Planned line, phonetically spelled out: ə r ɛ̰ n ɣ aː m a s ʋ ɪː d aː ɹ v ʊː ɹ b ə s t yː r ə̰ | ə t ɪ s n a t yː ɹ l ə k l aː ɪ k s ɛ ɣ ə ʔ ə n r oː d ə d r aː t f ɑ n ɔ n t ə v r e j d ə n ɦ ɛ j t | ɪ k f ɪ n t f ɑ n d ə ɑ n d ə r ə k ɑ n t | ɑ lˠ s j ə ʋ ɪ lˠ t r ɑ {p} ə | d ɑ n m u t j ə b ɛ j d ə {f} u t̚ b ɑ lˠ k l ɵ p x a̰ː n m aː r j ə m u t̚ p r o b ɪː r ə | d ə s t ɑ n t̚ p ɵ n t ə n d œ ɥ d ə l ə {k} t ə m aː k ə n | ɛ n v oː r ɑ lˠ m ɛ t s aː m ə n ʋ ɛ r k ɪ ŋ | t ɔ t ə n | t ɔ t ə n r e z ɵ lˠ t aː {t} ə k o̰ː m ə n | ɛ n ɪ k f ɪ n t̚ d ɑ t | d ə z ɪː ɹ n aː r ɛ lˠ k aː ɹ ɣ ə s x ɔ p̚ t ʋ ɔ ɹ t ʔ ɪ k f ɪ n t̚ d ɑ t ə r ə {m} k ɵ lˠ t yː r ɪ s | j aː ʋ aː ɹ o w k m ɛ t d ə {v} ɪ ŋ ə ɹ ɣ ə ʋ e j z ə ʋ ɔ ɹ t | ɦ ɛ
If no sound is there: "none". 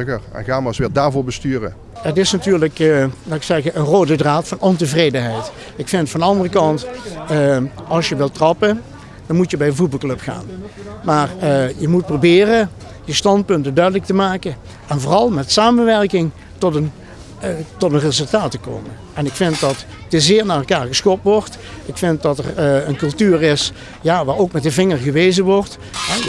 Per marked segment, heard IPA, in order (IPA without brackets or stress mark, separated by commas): p, v, k, t, n, v